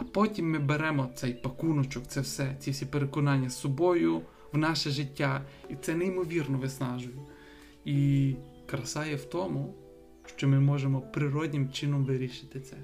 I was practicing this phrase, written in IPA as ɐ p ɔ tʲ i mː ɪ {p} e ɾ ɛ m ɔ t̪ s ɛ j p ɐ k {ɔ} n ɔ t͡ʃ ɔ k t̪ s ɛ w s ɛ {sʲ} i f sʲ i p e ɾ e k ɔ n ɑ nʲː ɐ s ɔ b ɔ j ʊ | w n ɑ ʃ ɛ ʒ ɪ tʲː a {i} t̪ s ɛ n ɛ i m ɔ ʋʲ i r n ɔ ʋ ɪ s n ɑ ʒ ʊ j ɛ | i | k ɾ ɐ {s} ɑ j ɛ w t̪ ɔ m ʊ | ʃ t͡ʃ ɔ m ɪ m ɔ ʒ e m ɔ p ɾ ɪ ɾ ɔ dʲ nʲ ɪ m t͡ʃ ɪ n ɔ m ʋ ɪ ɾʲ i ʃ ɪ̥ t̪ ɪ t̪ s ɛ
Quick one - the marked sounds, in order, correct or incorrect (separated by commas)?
incorrect, incorrect, incorrect, correct, correct